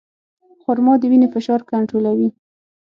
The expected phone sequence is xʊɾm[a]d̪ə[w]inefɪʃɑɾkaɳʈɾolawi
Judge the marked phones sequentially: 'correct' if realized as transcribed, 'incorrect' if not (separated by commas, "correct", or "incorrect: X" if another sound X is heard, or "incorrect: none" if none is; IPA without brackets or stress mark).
incorrect: ɑ, correct